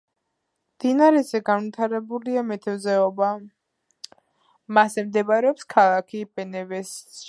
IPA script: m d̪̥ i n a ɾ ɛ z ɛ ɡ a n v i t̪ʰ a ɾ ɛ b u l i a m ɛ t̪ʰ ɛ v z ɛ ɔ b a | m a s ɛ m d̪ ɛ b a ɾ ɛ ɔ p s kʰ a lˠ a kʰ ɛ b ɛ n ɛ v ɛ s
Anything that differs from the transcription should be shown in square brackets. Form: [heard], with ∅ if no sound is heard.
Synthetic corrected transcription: m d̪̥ i n a ɾ ɛ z ɛ ɡ a n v i t̪ʰ a ɾ ɛ b u l i a m ɛ t̪ʰ ɛ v z ɛ ɔ b a | m a s ɛ m d̪ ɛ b a ɾ ɛ ɔ p s kʰ a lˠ a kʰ [i] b ɛ n ɛ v ɛ s